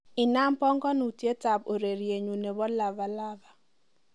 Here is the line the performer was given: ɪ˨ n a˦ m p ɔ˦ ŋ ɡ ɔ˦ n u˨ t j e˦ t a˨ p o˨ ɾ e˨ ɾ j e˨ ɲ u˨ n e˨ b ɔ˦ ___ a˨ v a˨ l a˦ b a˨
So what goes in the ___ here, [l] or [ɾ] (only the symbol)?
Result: l